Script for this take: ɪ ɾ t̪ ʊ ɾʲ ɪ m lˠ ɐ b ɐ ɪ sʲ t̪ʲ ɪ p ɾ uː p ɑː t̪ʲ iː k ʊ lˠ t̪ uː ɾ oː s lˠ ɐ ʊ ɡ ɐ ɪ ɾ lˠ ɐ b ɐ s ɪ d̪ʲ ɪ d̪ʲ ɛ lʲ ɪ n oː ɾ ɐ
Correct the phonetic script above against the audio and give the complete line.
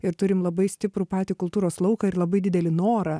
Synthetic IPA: ɪ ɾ t̪ ʊ ɾʲ ɪ m lˠ ɐ b ɐ ɪ sʲ t̪ʲ ɪ p ɾ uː p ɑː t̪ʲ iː k ʊ lˠ t̪ uː ɾ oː s lˠ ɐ ʊ k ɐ ɪ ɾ lˠ ɐ b ɐ ɪ d̪ʲ ɪ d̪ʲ ɛ lʲ ɪ n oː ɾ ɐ